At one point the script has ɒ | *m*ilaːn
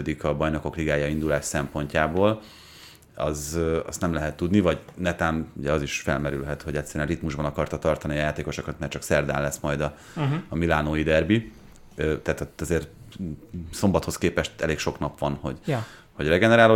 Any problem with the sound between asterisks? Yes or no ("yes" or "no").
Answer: no